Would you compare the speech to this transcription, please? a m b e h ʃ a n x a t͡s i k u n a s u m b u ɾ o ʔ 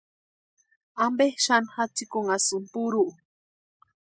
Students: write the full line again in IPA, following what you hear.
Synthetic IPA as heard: a m b e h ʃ a n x a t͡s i k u ŋ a s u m p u ɾ u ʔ